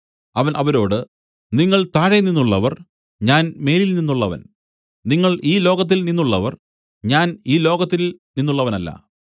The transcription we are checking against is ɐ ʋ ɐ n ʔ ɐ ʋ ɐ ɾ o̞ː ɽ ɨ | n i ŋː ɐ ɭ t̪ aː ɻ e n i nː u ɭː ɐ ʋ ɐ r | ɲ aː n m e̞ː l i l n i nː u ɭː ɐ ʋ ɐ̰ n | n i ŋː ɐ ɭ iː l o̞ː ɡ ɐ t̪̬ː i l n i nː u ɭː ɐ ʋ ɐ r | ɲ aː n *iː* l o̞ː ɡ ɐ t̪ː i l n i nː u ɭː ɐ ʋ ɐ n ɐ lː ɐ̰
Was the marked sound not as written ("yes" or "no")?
no